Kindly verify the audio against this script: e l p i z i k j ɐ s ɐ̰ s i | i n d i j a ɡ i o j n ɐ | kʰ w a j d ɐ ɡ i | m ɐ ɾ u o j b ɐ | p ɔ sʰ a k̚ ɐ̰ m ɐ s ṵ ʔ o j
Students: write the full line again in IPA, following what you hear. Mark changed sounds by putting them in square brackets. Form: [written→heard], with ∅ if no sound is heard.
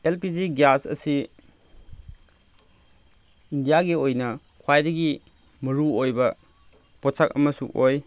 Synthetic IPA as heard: e l p i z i [k→ɡ] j [ɐ→a] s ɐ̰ s i | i n d i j a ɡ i o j n ɐ | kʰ w a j d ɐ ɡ i | m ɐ ɾ u o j b ɐ | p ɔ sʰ a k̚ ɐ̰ m ɐ s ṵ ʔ o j